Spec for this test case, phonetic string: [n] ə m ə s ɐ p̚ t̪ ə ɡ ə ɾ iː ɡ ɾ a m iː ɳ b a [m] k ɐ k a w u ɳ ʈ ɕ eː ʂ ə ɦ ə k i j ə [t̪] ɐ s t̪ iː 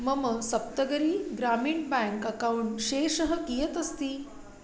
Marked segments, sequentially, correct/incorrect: incorrect: m, incorrect: ŋ, correct

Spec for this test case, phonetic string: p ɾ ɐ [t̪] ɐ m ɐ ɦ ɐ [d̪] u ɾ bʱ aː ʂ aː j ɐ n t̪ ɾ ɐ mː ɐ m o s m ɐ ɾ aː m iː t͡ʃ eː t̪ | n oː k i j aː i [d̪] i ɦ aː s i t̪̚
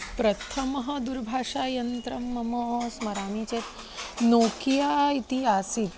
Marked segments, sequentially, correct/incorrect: incorrect: t̪ʰ, correct, incorrect: t̪

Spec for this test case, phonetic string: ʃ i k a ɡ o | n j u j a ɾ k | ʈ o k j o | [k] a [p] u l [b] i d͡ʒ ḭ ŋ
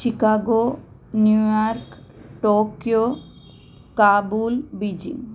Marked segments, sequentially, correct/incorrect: correct, incorrect: b, correct

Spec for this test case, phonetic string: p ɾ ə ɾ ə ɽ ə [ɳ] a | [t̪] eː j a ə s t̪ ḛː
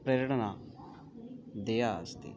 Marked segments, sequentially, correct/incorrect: incorrect: n, incorrect: d̪

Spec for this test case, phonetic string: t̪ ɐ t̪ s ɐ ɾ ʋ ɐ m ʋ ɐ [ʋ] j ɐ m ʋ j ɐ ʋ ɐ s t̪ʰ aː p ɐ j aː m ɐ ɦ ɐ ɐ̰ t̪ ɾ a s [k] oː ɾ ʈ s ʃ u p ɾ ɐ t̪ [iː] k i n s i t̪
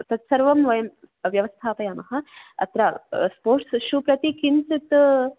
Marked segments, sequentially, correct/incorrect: incorrect: none, incorrect: p, incorrect: i

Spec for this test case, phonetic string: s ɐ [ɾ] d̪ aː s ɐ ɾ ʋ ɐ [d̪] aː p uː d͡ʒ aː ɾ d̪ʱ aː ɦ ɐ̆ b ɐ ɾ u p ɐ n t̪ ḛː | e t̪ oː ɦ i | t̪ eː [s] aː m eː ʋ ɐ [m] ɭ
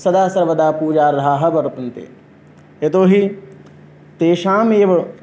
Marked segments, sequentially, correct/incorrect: incorrect: none, correct, incorrect: ʃ, incorrect: none

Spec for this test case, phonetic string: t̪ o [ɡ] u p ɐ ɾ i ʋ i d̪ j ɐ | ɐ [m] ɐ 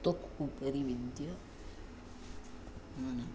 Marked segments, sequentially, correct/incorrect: incorrect: k, incorrect: n

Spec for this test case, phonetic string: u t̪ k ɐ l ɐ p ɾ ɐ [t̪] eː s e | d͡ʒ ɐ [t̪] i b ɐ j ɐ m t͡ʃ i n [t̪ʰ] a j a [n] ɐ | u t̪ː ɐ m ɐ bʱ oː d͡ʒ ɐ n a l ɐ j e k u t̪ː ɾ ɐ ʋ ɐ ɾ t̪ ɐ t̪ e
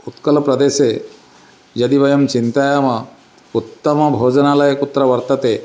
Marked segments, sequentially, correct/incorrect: incorrect: d̪, incorrect: d̪, incorrect: t̪, incorrect: m

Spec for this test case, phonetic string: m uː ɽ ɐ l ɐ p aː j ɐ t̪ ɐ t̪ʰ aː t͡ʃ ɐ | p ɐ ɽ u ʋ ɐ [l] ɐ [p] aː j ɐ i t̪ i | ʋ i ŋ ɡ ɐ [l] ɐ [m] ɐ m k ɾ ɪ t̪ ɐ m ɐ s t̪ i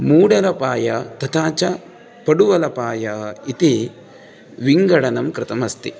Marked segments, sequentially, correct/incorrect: correct, correct, incorrect: ɽ, incorrect: n

